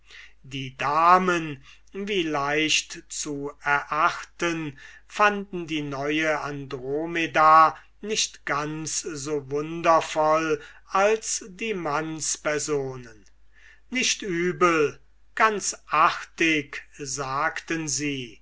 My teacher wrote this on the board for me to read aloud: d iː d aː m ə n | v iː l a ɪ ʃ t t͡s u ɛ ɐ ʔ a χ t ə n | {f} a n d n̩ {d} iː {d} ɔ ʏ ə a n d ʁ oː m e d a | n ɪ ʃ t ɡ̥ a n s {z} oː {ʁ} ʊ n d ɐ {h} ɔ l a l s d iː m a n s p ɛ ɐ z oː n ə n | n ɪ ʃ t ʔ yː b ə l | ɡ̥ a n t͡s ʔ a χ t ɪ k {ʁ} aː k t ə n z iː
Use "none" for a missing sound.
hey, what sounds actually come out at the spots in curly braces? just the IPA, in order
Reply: f, d, n, z, v, f, z

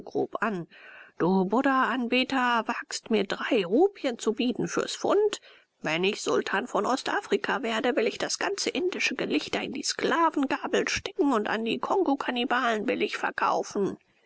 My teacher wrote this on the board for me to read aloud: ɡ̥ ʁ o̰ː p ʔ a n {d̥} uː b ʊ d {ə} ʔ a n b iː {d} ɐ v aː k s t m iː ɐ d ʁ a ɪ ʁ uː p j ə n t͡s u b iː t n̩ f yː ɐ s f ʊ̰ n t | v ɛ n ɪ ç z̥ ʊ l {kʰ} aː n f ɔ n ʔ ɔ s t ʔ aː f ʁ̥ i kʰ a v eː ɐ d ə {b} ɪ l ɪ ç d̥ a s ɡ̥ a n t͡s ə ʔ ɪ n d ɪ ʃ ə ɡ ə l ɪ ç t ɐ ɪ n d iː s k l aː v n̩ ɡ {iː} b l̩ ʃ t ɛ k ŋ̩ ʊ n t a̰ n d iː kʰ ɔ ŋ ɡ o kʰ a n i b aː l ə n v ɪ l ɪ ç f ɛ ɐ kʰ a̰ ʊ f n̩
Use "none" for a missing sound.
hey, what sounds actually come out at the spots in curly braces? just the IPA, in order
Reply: d̥, ɐ, t, tʰ, v, aː

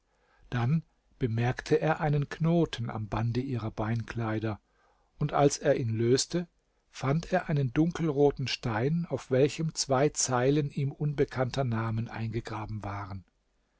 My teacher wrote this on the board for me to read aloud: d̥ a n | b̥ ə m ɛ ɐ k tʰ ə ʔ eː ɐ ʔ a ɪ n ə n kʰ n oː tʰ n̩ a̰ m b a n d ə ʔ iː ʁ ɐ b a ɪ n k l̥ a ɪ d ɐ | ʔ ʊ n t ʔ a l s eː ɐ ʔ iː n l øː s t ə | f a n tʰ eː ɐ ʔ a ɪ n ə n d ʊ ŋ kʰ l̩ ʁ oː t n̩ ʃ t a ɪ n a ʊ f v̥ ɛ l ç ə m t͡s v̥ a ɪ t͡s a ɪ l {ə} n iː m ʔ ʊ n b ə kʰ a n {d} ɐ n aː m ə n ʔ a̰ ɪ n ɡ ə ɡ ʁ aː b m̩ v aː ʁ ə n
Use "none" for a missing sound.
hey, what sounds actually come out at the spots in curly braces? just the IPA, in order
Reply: ə, t

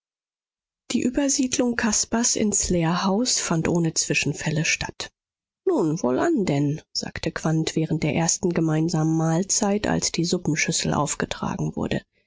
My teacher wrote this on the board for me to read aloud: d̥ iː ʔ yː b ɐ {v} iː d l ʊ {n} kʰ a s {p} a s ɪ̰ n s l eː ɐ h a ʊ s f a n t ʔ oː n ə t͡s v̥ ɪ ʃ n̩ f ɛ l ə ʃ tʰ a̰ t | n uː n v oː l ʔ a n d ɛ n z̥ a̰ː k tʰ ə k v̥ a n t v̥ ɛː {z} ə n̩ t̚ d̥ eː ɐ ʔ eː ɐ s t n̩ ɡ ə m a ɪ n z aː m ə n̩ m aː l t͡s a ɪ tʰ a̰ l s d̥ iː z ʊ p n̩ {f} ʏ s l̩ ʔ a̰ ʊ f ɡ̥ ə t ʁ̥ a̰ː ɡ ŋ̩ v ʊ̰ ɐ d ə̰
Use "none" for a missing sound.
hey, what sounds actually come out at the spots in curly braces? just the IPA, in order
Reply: z, ŋ, p, ʁ, ʃ

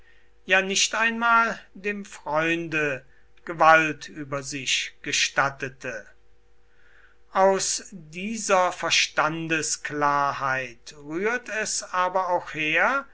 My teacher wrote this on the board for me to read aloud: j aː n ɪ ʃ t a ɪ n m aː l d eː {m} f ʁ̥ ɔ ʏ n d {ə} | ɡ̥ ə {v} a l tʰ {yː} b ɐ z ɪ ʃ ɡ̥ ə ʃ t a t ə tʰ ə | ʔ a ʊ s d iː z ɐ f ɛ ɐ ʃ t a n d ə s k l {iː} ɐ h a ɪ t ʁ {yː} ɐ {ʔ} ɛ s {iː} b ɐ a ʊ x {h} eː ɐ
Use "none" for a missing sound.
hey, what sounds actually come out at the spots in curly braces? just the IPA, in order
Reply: m, ə, v, yː, aː, yː, t, aː, h

